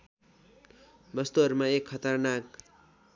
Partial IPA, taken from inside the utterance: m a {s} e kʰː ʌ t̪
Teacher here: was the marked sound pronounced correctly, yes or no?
no